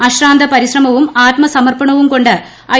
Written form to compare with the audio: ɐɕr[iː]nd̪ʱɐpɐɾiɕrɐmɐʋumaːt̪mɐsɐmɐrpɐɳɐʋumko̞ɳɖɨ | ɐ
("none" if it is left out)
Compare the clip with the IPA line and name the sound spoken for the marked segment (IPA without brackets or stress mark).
aː